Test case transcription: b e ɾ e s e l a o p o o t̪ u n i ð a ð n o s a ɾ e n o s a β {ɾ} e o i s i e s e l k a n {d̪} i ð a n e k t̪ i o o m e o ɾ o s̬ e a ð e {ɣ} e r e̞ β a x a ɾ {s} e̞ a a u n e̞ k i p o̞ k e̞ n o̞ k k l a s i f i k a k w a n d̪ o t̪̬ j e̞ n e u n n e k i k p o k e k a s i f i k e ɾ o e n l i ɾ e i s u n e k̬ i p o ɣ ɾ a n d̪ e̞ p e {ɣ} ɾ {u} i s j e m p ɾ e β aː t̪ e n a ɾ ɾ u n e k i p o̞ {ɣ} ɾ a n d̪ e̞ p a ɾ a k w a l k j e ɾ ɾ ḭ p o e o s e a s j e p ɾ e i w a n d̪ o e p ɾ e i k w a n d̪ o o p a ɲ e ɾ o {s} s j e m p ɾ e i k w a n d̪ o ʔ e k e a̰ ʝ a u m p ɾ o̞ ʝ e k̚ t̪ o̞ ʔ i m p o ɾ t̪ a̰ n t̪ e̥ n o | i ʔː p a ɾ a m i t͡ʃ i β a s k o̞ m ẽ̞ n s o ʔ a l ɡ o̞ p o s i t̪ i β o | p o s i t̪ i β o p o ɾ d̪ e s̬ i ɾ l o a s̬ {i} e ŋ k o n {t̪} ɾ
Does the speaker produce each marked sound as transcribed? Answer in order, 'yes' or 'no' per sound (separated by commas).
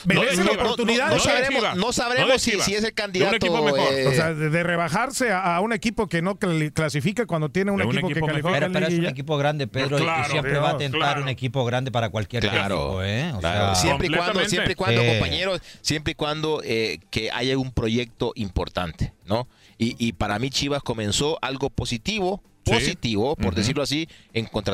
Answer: yes, yes, no, yes, no, no, yes, yes, yes, yes